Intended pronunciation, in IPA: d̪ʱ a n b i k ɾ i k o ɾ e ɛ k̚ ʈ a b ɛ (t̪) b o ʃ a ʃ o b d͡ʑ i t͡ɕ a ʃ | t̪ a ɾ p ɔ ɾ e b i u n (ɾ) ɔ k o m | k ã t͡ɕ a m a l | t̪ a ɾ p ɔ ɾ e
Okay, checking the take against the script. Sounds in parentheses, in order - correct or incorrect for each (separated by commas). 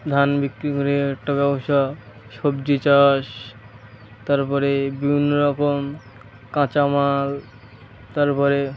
incorrect, correct